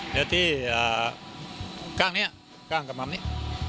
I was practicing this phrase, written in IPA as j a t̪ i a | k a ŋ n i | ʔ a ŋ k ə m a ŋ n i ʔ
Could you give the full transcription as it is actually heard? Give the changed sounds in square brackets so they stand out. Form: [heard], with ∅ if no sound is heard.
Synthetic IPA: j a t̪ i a | k a ŋ n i | [k] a ŋ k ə m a [m] n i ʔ